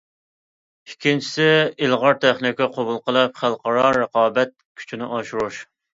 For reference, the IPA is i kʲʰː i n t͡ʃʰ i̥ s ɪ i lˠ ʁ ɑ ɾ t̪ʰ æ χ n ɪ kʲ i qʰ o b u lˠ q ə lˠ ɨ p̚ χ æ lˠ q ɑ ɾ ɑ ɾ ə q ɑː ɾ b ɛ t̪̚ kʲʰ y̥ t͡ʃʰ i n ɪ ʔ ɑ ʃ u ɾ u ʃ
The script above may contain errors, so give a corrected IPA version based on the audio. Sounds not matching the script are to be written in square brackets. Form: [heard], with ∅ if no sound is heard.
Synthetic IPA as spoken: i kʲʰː i n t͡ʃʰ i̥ s ɪ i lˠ ʁ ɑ ɾ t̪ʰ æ χ n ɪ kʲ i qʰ o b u lˠ q ə lˠ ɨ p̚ χ æ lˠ q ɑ ɾ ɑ ɾ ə q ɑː [∅] b ɛ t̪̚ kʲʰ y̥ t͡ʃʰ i n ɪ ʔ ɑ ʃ u ɾ u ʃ